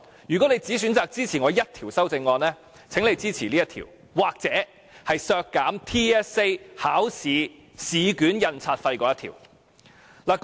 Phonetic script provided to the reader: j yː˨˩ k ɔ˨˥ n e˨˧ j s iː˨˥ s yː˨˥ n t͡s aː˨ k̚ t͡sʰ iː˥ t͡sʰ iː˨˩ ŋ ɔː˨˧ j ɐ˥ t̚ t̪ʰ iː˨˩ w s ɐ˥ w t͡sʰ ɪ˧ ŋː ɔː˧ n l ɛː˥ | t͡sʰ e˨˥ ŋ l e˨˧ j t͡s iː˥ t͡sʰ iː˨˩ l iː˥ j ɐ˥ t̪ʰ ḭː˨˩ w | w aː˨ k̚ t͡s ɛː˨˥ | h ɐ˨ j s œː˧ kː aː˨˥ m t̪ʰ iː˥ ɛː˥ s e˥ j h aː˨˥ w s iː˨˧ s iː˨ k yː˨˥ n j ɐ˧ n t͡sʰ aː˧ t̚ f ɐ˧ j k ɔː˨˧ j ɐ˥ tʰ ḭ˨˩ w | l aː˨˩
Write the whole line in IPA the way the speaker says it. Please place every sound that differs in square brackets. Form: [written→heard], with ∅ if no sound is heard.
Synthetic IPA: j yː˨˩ k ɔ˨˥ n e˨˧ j [s→t͡s] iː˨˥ s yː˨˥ n t͡s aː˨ k̚ [t͡sʰ→t͡s] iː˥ t͡sʰ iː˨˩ ŋ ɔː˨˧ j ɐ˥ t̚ t̪ʰ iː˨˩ w s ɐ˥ w [t͡sʰ→t͡s] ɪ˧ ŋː ɔː˧ n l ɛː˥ | t͡sʰ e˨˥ ŋ l e˨˧ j t͡s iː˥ t͡sʰ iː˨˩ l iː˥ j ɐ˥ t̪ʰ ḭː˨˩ w | w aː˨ k̚ t͡s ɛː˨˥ | h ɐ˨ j s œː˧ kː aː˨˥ m t̪ʰ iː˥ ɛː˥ s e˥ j h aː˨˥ w s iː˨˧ s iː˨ k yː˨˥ n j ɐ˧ n t͡sʰ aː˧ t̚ f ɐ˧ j k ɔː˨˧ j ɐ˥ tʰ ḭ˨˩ w | l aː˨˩

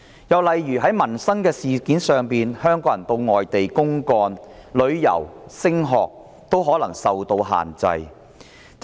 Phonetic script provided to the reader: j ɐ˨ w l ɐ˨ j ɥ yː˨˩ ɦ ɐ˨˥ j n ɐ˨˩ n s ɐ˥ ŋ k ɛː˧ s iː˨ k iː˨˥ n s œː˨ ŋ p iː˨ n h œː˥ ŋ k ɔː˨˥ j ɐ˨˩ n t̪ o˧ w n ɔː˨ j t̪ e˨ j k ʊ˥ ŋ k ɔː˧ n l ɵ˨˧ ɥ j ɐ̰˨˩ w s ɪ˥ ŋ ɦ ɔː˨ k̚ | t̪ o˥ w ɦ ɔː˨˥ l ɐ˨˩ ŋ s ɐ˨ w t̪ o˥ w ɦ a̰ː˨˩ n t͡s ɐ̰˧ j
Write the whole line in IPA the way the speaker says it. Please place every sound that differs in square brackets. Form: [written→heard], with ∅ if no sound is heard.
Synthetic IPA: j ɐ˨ w l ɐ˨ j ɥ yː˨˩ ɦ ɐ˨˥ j [n→m] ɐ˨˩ n s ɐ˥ ŋ k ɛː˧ s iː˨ k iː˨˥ n s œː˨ ŋ p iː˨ n h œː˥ ŋ k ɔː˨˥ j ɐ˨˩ n t̪ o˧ w [n→ŋ] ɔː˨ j t̪ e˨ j k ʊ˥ ŋ k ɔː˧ n l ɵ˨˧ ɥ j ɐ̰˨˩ w s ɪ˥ ŋ ɦ ɔː˨ k̚ | t̪ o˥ w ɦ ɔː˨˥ l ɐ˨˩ ŋ s ɐ˨ w t̪ [o˥→o˧] w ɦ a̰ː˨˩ n t͡s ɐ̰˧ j

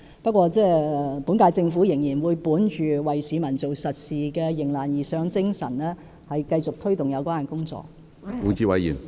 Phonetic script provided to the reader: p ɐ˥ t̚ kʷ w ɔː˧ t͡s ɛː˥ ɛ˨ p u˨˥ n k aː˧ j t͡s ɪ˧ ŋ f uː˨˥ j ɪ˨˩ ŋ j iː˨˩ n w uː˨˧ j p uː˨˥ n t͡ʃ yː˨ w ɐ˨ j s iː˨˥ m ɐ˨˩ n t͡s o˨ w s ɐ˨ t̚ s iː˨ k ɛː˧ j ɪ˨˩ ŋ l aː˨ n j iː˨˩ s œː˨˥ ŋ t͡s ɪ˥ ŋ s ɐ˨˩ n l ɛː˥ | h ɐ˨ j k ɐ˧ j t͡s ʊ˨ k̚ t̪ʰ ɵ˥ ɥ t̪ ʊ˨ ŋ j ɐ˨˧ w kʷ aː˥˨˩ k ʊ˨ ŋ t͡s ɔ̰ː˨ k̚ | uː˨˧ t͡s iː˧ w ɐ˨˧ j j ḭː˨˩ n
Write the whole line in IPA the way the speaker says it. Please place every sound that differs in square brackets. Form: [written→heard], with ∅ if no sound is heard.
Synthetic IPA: p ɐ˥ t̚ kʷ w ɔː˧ t͡s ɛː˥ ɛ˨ p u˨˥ n k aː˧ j t͡s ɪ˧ ŋ f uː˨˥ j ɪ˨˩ ŋ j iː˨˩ n w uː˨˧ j p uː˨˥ n t͡ʃ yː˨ w ɐ˨ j s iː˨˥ m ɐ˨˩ n t͡s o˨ w s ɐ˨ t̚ s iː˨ k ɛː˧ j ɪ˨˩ ŋ l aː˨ n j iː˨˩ s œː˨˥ ŋ t͡s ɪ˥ ŋ s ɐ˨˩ n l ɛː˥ | h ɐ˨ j k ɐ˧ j t͡s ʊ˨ k̚ t̪ʰ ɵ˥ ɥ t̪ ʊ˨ ŋ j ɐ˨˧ w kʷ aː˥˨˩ k [ʊ˨→ʊ˥] ŋ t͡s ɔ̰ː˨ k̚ | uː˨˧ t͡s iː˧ w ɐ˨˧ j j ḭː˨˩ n

